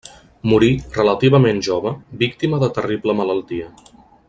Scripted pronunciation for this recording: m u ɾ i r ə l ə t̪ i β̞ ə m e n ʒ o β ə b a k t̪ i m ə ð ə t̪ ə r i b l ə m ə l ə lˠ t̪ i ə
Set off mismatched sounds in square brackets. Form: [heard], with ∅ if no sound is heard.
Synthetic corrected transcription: m u ɾ i r ə l ə t̪ i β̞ ə m e n ʒ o β ə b [i] k t̪ i m ə ð ə t̪ ə r i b l ə m ə l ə lˠ t̪ i ə

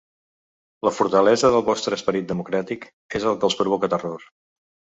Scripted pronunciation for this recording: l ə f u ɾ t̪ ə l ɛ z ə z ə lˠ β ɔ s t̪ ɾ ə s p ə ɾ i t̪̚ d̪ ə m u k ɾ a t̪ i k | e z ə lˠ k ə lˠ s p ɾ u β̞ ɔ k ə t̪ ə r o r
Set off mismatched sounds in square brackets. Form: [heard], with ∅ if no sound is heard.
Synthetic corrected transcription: l ə f u ɾ t̪ ə l ɛ z ə [ð] ə lˠ β ɔ s t̪ ɾ ə s p ə ɾ i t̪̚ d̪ ə m u k ɾ a t̪ i k | e z ə lˠ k ə lˠ s p ɾ u β̞ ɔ k ə t̪ ə r o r

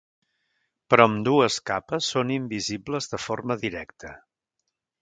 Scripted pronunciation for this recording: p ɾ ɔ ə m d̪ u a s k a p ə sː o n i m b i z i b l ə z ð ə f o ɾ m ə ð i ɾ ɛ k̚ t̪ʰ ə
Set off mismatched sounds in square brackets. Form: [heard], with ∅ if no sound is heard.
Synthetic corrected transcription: p ɾ ɔ ə m d̪ u [ə] s k a p ə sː o n i m b i z i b l ə z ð ə f o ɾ m ə ð i ɾ ɛ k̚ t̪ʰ ə

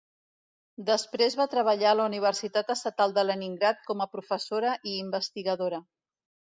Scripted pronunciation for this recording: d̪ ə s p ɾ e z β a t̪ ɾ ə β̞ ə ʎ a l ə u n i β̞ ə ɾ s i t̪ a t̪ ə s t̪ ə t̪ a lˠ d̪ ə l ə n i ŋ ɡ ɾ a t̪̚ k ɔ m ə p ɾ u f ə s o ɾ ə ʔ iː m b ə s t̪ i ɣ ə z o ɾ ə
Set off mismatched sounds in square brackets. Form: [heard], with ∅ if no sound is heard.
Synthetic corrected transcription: d̪ ə s p ɾ e z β a t̪ ɾ ə β̞ ə ʎ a l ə u n i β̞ ə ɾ s i t̪ a t̪ ə s t̪ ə t̪ a lˠ d̪ ə l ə n i ŋ ɡ ɾ a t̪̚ k ɔ m ə p ɾ u f ə s o ɾ ə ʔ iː m b ə s t̪ i ɣ ə [ð] o ɾ ə

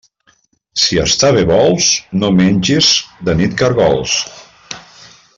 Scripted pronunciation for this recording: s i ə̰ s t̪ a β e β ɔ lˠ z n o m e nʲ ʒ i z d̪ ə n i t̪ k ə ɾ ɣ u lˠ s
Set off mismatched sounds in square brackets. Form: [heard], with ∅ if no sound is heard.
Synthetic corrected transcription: s i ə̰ s t̪ a β e β ɔ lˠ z n o m e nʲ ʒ i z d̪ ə n i t̪ k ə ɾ ɣ [ɔ] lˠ s

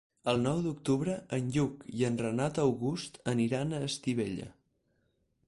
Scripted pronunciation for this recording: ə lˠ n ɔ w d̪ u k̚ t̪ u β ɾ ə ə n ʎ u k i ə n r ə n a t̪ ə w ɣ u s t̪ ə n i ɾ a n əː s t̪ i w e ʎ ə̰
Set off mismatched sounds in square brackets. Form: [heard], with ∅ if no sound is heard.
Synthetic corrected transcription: ə lˠ n ɔ w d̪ u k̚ t̪ u β ɾ ə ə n ʎ u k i ə n r ə n a t̪ ə w ɣ u s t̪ ə n i ɾ a n əː s t̪ i [β] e ʎ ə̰

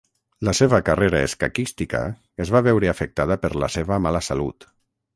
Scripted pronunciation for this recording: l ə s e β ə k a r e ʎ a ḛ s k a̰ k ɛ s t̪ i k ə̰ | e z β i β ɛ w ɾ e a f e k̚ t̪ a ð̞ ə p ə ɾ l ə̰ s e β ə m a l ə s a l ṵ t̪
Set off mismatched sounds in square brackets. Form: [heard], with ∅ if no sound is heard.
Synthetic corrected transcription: l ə s e β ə k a r e [ɾ] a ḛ s k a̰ k [i] s t̪ i k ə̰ | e z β [a] β ɛ w ɾ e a f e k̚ t̪ a ð̞ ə p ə ɾ l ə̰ s e β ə m a l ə s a l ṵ t̪

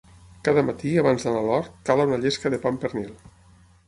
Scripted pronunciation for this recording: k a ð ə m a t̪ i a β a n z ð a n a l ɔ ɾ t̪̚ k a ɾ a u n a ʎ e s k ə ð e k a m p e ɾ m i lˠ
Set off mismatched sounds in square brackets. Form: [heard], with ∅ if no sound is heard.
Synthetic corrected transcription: k a ð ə m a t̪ i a β a n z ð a n a l ɔ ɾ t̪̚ k a [l] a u n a ʎ e s k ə ð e [p] a m p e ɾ [n] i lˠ

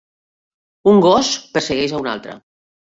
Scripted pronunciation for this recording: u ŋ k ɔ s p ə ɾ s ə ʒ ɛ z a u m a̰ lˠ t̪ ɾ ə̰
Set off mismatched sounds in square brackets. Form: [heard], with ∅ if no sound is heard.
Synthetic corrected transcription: u ŋ [ɡ] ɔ s p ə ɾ s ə [ɣ] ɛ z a u [n] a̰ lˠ t̪ ɾ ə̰

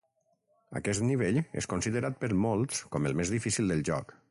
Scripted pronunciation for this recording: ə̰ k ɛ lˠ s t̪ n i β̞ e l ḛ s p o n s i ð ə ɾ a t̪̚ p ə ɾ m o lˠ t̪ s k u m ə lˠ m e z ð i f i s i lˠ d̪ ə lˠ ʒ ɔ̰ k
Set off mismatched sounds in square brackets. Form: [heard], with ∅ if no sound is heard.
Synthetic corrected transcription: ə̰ k ɛ [∅] s t̪ n i β̞ e [ʎ] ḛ s [k] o n s i ð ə ɾ a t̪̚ p ə ɾ m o lˠ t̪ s k [ɔ] m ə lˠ m e z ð i f i s i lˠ d̪ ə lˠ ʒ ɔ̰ k

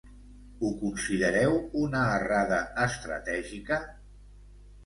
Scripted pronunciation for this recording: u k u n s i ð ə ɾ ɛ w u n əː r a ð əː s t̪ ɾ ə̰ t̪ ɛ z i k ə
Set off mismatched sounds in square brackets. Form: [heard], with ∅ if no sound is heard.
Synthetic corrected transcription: u k u n s i ð ə ɾ ɛ w u n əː r a ð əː s t̪ ɾ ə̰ t̪ ɛ [ʒ] i k ə

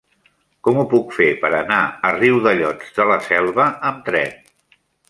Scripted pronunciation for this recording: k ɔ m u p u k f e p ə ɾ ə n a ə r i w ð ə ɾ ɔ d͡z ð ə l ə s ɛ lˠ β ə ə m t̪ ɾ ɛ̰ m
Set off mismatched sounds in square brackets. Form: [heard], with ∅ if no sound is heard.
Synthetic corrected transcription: k ɔ m u p u k f e p ə ɾ ə n a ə r i w ð ə [ʎ] ɔ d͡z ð ə l ə s ɛ lˠ β ə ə m t̪ ɾ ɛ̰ [n]

